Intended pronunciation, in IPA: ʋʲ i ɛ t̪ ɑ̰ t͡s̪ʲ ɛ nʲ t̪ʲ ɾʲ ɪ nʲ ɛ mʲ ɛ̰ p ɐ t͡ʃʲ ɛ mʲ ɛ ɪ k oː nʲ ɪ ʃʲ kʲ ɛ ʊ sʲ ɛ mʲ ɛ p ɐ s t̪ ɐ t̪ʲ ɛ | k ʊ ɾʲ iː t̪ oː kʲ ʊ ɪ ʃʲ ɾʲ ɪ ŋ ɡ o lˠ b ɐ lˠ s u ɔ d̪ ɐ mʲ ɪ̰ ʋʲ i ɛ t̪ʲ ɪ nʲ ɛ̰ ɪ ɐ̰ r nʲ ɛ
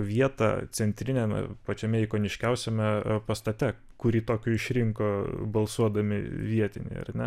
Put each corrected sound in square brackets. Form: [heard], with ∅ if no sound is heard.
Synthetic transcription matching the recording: ʋʲ i ɛ t̪ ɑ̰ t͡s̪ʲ ɛ nʲ t̪ʲ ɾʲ ɪ nʲ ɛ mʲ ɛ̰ p ɐ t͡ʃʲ ɛ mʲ ɛ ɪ k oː nʲ ɪ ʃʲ kʲ ɛ ʊ sʲ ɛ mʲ ɛ p ɐ s t̪ ɐ t̪ʲ ɛ | k ʊ ɾʲ iː t̪ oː kʲ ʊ ɪ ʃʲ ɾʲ ɪ ŋ [k] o [∅] b ɐ lˠ s u ɔ d̪ ɐ mʲ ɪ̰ ʋʲ i ɛ t̪ʲ ɪ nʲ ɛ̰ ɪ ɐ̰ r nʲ ɛ